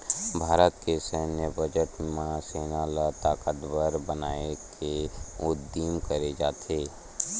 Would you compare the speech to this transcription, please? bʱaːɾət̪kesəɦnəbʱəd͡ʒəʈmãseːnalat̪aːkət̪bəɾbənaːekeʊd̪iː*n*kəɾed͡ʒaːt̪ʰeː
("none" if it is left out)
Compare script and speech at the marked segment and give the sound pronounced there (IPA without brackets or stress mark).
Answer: m